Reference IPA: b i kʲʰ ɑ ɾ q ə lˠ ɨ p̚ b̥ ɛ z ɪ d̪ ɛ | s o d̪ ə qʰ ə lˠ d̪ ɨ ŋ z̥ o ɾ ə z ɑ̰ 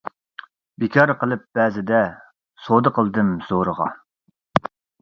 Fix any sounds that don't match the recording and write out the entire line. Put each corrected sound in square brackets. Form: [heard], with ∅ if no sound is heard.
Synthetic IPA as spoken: b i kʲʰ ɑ ɾ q ə lˠ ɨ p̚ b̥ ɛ z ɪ d̪ ɛ | s o d̪ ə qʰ ə lˠ d̪ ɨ [m] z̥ o ɾ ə [ʁ] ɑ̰